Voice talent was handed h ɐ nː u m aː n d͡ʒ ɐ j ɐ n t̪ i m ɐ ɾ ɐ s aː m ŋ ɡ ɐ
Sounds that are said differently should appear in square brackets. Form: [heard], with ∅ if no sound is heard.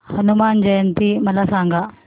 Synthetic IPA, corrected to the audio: h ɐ [n] u m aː n d͡ʒ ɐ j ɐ n t̪ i m ɐ [l] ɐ s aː [∅] ŋ ɡ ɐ